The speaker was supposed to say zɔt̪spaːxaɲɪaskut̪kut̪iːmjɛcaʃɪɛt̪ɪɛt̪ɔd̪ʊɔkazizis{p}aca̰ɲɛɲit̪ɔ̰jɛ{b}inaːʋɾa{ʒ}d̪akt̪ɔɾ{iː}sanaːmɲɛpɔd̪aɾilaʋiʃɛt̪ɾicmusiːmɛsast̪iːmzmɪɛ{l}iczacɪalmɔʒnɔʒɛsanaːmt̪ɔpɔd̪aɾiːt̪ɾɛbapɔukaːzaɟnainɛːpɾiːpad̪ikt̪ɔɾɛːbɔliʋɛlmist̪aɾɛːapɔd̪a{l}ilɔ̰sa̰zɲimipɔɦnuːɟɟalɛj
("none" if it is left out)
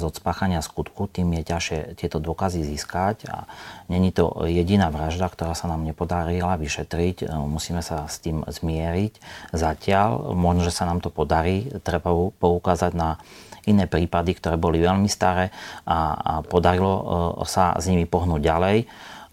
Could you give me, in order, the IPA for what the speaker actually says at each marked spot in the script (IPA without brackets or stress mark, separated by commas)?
k, ɟ, ʒ, aː, ɾ, ɾ